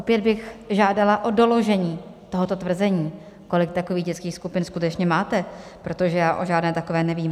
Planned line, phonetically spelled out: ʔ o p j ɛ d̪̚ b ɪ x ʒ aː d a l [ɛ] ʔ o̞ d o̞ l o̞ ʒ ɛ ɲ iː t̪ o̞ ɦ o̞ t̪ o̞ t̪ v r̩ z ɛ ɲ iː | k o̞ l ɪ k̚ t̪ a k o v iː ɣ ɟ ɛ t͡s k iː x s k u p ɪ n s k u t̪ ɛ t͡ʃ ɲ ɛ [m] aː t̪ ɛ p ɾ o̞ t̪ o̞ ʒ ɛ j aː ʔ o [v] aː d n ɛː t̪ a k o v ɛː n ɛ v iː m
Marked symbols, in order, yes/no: no, yes, no

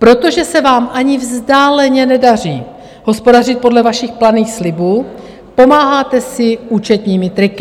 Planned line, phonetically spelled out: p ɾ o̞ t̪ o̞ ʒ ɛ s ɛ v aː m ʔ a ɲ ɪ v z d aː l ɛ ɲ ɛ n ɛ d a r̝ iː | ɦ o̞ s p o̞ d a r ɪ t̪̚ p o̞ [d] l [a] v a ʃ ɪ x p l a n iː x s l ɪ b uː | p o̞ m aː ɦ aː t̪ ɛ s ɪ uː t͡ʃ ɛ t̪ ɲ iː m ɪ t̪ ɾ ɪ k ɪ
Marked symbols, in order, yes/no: yes, no

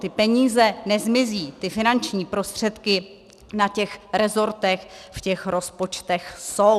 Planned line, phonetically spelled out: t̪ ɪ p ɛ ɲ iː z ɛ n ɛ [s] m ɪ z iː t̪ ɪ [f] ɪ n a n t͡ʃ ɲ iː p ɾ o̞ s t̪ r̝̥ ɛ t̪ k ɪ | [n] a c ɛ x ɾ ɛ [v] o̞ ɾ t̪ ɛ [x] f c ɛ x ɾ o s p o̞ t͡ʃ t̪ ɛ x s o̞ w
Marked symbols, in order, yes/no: no, yes, yes, no, yes

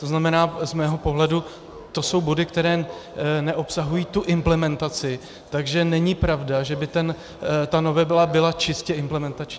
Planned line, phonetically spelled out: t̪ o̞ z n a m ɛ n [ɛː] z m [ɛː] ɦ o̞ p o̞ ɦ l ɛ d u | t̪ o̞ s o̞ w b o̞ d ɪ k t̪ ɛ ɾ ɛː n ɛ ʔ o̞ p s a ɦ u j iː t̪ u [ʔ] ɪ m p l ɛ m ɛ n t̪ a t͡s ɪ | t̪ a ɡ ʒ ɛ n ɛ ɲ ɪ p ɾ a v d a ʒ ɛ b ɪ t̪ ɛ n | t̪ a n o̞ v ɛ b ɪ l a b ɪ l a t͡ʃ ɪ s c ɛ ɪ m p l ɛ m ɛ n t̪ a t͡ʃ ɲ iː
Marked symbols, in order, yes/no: no, yes, yes

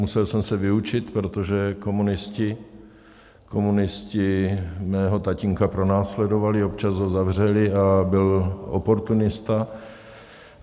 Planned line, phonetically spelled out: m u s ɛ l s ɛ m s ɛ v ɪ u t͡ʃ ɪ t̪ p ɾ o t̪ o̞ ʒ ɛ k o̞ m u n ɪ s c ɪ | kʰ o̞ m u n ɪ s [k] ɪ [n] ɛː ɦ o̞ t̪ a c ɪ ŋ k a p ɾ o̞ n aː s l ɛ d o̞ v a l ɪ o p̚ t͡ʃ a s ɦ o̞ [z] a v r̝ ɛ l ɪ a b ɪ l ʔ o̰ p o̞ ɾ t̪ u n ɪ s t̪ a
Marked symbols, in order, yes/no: no, no, yes

